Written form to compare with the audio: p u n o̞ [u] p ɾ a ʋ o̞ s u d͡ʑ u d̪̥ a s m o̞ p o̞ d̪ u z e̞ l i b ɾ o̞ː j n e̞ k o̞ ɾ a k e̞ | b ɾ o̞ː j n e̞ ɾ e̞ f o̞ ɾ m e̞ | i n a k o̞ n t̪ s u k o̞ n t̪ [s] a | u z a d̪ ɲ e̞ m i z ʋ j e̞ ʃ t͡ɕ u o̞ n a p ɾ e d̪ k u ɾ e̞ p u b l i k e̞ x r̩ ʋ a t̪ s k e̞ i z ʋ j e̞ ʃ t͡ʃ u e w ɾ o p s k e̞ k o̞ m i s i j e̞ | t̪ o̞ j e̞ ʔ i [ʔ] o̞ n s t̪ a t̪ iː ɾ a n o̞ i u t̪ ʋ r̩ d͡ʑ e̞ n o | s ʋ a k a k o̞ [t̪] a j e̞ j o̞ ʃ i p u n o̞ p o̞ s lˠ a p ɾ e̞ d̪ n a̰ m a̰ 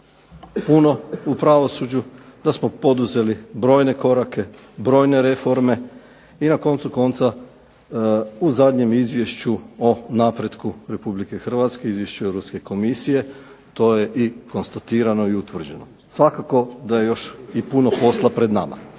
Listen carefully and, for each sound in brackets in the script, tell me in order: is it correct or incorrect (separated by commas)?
correct, correct, incorrect, incorrect